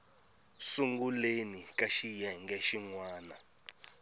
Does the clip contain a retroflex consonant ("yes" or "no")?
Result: no